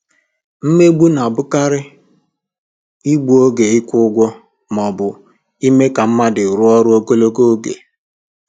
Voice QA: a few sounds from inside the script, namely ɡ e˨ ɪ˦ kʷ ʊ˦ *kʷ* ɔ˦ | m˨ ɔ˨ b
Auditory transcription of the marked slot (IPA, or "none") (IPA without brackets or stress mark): ɡʷ